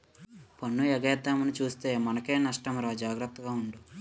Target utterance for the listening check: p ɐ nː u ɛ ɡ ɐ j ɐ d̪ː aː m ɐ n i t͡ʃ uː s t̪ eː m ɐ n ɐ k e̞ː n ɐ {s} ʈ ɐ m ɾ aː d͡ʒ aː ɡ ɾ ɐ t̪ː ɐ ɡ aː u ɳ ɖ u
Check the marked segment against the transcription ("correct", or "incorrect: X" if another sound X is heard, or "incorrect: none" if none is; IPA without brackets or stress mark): incorrect: ʂ